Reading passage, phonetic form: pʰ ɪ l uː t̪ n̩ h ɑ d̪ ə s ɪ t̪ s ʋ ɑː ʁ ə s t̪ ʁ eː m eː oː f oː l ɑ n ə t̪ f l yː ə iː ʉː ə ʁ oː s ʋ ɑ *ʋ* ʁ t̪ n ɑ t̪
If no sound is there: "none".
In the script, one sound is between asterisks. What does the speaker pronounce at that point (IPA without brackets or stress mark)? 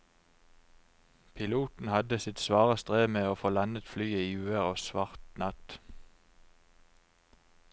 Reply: none